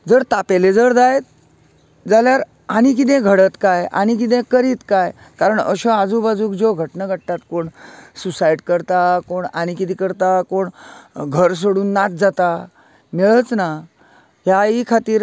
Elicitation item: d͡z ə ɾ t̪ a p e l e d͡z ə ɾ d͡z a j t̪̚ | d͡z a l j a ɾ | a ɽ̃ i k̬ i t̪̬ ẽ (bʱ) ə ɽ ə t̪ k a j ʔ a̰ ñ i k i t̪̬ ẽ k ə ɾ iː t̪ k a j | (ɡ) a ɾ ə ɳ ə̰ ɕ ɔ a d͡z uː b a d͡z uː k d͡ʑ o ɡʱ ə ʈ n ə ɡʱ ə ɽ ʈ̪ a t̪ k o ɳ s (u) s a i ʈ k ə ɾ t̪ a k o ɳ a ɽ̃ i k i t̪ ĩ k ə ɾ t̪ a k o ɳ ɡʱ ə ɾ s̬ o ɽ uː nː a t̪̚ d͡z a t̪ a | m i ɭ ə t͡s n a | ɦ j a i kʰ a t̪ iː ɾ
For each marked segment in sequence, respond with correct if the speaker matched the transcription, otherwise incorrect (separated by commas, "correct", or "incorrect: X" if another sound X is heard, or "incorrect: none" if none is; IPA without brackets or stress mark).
incorrect: ɡʱ, incorrect: k, correct